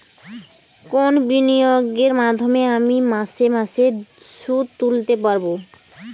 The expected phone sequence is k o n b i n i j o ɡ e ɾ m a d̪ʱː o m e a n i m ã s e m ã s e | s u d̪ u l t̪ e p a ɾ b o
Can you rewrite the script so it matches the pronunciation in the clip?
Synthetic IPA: k o n b i n i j o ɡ e ɾ m a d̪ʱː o m e a m i m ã s e m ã s e | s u t̪ u l t̪ e p a ɾ b o